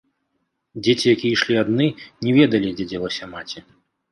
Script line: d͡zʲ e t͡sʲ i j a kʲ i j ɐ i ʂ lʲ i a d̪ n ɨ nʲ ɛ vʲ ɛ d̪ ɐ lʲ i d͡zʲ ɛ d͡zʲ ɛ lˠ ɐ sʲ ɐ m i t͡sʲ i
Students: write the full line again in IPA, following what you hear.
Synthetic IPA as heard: d͡zʲ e t͡sʲ i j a kʲ i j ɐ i ʂ lʲ i a d̪ n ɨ nʲ ɛ vʲ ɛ d̪ ɐ lʲ i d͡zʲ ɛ d͡zʲ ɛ lˠ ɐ sʲ ɐ m a t͡sʲ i